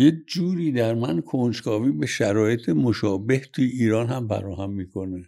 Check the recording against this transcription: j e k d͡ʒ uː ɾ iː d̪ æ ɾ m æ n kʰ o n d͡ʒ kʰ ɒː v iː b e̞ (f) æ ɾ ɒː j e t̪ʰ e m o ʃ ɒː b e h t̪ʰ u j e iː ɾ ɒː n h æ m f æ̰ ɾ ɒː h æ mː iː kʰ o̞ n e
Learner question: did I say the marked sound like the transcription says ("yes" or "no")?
no